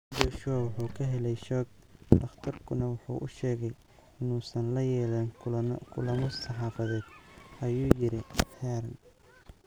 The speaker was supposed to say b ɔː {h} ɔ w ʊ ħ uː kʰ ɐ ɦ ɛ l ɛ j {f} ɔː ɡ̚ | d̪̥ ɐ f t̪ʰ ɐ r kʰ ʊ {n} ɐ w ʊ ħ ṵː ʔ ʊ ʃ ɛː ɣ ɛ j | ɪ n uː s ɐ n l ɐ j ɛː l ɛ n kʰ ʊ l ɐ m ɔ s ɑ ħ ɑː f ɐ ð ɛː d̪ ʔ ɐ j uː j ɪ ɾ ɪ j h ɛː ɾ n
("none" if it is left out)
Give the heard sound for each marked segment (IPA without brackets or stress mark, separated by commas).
ʃ, ʃ, n